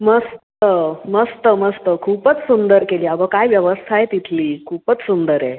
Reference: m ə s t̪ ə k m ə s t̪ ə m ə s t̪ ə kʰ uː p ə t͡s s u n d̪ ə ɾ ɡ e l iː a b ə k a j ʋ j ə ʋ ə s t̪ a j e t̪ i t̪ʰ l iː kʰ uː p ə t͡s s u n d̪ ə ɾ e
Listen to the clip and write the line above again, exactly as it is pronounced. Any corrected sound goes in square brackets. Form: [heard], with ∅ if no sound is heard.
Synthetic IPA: m ə s t̪ ə [∅] m ə s t̪ ə m ə s t̪ ə kʰ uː p ə t͡s s u n d̪ ə ɾ [k] e l iː a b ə k a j ʋ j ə ʋ ə s [t̪ʰ] a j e t̪ i t̪ʰ l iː kʰ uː p ə t͡s s u n d̪ ə ɾ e

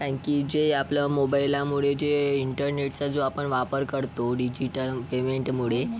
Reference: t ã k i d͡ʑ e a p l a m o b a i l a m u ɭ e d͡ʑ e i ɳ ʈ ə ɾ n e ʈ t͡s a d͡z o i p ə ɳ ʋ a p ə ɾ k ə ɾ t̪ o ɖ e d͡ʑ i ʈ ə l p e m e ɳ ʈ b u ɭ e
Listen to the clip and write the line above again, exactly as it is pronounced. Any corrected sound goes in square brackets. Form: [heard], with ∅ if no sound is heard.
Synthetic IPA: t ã k i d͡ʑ e a p l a m o b a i l a m u ɭ e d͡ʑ e i ɳ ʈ ə ɾ n e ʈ t͡s a d͡z o [a] p ə ɳ ʋ a p ə ɾ k ə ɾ t̪ o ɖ [i] d͡ʑ i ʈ ə l p e m e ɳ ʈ [m] u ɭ e

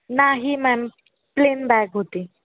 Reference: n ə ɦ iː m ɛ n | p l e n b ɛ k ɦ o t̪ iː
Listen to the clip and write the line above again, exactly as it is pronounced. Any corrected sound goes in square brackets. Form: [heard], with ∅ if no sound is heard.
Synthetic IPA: n [a] ɦ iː m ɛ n | p l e n b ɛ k ɦ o t̪ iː

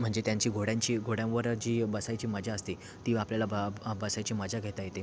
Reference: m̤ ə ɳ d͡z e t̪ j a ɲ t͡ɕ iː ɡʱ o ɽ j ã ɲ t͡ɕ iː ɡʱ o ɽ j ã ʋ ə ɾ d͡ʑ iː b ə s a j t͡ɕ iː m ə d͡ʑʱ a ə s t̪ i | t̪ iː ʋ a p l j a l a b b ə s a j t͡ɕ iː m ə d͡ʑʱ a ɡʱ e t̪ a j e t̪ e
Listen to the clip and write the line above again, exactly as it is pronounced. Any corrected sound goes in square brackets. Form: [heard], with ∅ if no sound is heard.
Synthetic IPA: m̤ ə ɳ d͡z e t̪ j a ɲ t͡ɕ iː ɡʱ o ɽ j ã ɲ t͡ɕ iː ɡʱ o ɽ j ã ʋ ə ɾ d͡ʑ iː b ə s a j t͡ɕ iː m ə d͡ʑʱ a ə s t̪ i | t̪ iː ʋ a p l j a l a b b ə s a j t͡ɕ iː m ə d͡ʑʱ a ɡʱ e t̪ a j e t̪ e

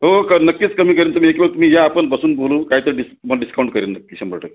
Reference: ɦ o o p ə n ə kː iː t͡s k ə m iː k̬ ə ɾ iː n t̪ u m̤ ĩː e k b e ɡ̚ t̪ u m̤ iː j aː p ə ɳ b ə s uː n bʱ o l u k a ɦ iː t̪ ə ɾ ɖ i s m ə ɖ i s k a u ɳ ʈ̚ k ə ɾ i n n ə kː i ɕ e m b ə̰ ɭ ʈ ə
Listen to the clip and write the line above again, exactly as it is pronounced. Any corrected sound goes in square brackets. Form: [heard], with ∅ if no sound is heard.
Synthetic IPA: ɦ o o [k] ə n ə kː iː t͡s k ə m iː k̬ ə ɾ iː n t̪ u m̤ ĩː e k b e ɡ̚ t̪ u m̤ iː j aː p ə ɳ b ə s uː n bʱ o l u k a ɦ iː t̪ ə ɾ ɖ i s m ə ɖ i s k a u ɳ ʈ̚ k ə ɾ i n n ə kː i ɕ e m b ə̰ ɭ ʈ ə

